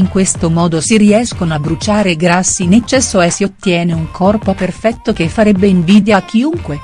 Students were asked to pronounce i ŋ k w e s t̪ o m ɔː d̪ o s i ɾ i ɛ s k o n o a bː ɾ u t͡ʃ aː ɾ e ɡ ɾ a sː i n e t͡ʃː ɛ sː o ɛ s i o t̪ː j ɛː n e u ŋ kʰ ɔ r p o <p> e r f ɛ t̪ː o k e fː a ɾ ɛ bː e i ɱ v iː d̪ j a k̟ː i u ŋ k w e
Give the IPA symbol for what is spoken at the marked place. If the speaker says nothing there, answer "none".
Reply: p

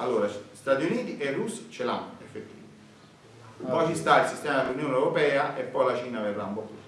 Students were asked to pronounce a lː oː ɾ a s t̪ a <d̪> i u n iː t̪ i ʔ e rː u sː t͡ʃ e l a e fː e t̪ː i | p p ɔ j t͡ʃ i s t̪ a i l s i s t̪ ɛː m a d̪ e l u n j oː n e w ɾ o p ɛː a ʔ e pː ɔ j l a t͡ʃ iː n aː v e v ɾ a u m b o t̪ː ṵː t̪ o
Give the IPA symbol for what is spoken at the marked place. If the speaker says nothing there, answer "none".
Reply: t̪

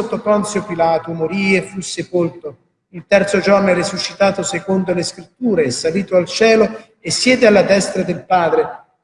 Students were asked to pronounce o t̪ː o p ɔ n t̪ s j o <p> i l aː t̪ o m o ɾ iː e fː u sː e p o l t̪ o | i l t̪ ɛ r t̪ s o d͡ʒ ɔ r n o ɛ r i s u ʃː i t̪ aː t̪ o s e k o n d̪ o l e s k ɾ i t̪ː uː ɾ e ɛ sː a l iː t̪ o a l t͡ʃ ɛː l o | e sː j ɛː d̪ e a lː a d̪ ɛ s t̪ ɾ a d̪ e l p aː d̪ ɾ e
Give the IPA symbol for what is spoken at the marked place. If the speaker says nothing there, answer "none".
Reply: p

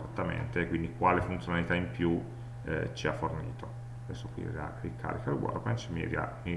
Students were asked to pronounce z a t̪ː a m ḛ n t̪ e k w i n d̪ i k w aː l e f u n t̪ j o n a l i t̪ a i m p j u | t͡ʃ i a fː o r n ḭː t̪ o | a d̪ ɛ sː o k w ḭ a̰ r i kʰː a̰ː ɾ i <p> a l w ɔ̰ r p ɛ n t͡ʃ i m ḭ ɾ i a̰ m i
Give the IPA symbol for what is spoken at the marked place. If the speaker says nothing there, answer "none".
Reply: k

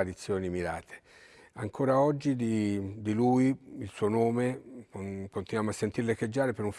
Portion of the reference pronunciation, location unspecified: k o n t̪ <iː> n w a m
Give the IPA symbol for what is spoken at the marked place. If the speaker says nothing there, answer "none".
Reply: i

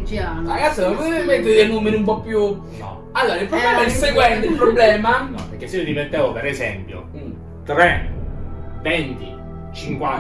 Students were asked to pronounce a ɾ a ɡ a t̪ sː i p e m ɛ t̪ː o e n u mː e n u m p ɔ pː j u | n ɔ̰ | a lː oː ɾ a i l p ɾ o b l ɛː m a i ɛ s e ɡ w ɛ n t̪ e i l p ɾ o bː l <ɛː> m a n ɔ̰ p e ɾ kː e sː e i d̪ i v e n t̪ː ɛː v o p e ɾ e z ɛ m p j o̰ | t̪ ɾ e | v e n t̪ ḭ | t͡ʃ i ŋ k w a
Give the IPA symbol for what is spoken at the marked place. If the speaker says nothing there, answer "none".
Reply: ɛː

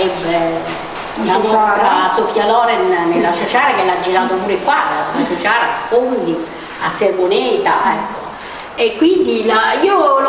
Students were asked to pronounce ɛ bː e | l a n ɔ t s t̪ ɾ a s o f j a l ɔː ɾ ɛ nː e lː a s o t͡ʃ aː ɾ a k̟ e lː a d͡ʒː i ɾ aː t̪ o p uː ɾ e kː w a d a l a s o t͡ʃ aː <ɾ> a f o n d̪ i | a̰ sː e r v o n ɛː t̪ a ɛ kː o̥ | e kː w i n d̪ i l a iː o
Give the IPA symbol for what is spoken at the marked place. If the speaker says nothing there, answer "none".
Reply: ɾ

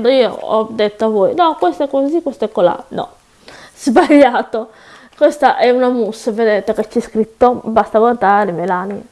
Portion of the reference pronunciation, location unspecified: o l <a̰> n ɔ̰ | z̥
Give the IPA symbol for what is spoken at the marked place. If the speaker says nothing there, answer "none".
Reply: a̰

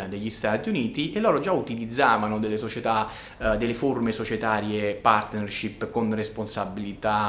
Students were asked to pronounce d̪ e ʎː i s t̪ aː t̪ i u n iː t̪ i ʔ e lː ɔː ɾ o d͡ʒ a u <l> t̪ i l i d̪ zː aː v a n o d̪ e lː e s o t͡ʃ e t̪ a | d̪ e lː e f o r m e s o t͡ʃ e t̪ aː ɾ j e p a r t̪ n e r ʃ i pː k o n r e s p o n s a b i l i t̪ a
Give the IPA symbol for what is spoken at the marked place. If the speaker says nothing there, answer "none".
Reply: none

